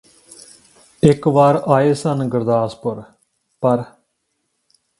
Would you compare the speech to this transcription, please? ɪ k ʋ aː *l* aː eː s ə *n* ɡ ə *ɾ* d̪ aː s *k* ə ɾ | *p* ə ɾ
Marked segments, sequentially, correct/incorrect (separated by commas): incorrect, correct, correct, incorrect, correct